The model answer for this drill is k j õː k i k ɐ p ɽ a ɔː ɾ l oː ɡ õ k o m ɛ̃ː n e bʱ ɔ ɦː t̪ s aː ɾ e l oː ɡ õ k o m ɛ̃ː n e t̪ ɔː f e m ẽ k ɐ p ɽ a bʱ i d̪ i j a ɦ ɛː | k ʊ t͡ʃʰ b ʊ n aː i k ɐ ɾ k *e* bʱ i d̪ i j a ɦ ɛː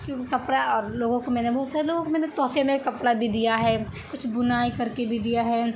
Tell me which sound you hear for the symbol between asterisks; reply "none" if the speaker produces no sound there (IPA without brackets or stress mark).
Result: e